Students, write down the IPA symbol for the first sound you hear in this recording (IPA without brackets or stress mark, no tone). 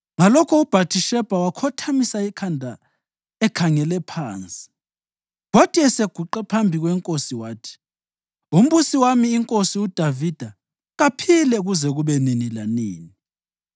ŋ